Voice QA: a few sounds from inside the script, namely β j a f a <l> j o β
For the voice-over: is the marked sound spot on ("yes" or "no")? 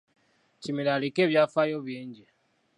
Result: no